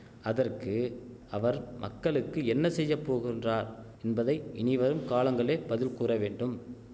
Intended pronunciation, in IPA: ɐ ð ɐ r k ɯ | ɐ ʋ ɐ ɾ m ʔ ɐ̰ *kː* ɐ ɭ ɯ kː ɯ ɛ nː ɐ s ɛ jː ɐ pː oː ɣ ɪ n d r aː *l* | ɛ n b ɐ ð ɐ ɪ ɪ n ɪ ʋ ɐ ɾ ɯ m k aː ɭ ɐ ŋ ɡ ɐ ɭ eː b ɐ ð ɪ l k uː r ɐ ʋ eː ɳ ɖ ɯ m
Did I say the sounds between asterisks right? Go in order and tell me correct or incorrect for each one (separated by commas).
correct, incorrect